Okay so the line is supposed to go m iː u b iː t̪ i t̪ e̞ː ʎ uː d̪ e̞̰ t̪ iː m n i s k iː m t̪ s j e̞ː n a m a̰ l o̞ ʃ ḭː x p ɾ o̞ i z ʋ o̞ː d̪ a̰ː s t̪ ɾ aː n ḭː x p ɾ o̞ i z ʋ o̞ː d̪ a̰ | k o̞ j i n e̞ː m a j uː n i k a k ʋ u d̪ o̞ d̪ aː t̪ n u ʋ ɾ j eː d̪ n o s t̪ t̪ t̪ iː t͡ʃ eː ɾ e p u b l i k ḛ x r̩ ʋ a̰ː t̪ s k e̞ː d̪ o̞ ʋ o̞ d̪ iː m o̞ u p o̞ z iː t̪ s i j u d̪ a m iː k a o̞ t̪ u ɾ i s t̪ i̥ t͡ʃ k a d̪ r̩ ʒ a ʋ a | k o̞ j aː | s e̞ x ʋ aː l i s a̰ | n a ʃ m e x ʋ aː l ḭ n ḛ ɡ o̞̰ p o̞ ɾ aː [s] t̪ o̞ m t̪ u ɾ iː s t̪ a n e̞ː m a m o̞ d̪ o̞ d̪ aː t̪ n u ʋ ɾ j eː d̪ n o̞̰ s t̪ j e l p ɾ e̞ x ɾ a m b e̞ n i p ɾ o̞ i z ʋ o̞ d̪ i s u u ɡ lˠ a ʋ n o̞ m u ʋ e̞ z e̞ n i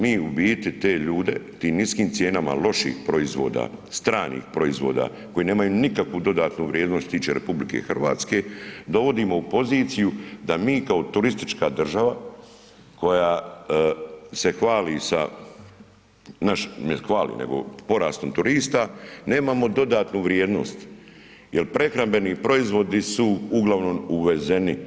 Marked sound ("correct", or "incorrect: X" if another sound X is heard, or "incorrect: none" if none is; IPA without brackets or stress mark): correct